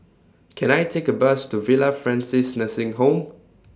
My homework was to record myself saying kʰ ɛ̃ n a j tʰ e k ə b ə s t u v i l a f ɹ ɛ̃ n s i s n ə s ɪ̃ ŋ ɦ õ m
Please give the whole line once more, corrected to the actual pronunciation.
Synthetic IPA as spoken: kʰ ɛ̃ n a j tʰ e k ə b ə s t u v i l a f ɹ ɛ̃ n s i s n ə s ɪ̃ ŋ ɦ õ m